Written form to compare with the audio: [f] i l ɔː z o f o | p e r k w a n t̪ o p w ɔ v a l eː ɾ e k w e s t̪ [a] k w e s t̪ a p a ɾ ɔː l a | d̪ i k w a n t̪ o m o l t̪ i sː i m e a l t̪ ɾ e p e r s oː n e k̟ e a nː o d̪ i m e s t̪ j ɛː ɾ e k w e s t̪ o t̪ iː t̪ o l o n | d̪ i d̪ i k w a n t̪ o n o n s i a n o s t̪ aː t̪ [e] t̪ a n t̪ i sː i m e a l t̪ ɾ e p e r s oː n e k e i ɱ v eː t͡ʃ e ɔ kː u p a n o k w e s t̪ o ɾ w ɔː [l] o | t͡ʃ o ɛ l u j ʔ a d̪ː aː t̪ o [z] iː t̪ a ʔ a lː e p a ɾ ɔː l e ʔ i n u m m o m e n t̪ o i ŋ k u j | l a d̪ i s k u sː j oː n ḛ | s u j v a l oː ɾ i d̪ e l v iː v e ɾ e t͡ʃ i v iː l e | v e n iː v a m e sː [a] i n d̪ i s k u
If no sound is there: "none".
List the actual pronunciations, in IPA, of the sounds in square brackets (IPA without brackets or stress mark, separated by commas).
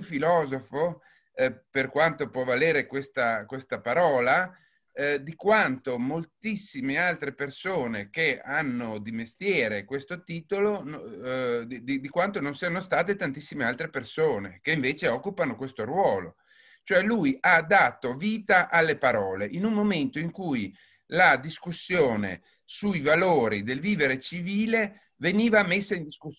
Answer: f, a, e, l, v, a